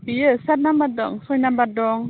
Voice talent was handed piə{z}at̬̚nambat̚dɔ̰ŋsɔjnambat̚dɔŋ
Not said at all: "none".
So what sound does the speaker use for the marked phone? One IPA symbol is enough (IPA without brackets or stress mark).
s